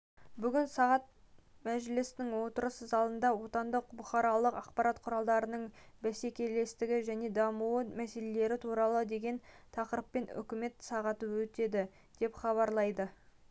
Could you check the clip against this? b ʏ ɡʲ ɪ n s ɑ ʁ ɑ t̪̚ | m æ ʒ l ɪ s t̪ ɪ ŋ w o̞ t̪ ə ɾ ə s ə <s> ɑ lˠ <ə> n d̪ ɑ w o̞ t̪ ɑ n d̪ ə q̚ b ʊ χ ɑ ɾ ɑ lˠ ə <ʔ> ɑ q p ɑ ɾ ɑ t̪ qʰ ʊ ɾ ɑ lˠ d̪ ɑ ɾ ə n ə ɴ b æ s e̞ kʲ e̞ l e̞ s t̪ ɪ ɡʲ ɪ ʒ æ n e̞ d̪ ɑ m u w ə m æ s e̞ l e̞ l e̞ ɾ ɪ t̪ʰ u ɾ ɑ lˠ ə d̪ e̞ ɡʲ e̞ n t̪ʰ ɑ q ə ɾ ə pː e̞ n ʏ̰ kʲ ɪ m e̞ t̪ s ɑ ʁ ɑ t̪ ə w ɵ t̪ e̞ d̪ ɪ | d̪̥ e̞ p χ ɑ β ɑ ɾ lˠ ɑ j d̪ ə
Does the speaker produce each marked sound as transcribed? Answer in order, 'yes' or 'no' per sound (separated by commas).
no, yes, no